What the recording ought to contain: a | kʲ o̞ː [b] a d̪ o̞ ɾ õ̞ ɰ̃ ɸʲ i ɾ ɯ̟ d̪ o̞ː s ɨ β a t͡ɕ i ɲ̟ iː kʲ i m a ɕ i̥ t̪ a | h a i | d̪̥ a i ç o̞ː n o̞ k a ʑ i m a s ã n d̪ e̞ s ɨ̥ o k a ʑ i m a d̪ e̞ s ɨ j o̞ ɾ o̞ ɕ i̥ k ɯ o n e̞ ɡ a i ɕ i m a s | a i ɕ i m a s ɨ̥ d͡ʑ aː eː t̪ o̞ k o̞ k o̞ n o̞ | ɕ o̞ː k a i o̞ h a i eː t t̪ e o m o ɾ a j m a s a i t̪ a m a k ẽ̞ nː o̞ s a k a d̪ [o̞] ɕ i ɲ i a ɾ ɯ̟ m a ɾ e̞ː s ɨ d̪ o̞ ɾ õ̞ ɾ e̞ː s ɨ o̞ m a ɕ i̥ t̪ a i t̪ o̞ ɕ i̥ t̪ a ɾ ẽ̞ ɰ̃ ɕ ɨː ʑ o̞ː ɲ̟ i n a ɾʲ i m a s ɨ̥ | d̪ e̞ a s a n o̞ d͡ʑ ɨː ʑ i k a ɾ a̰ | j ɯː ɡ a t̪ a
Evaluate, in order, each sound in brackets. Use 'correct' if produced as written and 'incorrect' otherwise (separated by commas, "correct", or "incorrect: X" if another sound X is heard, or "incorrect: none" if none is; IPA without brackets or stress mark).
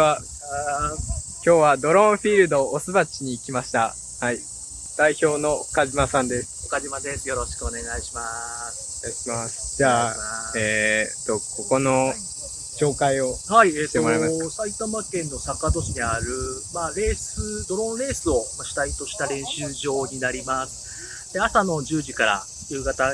incorrect: β, correct